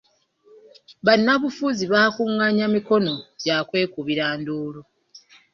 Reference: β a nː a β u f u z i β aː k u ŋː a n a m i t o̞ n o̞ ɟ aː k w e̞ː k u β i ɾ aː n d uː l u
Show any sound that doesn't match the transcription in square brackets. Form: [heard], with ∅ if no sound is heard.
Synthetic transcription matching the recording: β a nː a β u f u z i β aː k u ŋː a [ɲ] a m i [k] o̞ n o̞ ɟ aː k w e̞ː k u β i ɾ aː n d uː l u